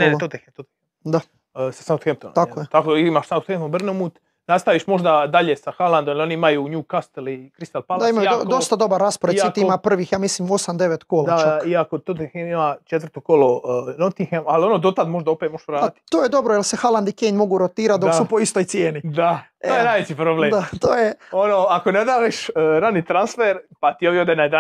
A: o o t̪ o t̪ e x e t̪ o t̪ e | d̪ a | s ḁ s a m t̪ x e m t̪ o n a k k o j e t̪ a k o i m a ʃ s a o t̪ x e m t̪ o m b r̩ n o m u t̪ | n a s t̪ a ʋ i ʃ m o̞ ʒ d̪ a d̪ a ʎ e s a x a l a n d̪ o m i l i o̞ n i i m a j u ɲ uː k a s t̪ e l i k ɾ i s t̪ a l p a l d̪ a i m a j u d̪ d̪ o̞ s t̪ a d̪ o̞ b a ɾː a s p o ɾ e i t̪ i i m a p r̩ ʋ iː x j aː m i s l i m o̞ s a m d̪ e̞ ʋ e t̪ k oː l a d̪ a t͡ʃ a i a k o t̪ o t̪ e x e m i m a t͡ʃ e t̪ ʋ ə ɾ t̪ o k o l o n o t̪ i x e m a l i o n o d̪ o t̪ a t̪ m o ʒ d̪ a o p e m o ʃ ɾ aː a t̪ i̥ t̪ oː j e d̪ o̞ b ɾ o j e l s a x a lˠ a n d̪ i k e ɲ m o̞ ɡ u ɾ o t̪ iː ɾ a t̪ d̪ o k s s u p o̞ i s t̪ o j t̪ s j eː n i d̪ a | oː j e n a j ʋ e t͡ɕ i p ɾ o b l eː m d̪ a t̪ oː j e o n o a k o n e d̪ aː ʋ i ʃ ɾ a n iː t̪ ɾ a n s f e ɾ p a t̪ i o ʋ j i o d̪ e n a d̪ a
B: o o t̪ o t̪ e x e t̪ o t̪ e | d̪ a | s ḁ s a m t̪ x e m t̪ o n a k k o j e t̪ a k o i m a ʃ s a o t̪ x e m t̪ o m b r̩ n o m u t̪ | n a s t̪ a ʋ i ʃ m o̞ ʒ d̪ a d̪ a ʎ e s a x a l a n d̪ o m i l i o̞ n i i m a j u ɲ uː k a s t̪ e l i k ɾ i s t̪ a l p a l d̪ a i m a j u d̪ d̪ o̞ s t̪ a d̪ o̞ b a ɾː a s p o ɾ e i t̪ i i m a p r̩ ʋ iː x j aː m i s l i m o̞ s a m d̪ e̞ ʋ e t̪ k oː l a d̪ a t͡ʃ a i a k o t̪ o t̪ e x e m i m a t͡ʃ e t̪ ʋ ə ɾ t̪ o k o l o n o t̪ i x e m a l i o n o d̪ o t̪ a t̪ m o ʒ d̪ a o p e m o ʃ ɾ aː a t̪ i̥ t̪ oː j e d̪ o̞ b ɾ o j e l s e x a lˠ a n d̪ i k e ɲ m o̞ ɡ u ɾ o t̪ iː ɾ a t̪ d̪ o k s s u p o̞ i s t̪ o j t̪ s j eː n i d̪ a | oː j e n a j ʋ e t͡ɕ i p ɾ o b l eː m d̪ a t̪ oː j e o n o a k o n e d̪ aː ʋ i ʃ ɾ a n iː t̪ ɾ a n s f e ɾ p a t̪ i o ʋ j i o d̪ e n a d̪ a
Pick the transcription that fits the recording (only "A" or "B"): B